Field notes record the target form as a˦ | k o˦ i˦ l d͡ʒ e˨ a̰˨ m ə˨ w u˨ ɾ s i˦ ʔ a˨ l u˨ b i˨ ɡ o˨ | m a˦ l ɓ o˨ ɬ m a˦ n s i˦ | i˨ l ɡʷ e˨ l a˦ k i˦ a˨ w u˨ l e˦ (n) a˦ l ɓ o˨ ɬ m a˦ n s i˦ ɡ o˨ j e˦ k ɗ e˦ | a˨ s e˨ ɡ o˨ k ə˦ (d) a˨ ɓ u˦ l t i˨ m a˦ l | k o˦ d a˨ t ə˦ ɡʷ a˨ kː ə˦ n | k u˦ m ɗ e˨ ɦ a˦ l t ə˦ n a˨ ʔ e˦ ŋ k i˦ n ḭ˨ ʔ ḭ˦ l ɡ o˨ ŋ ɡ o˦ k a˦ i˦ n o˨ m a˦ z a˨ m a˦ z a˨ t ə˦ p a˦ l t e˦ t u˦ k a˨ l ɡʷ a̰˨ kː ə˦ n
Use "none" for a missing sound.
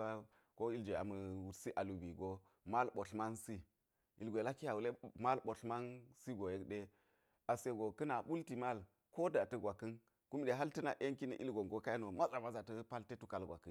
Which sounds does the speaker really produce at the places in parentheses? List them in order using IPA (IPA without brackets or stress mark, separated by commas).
m, n